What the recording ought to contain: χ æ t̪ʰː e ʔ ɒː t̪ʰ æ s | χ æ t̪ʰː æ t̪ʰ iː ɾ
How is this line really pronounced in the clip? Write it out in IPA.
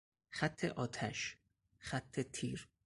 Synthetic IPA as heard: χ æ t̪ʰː e ʔ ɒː t̪ʰ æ ʃ | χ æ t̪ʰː e t̪ʰ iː ɾ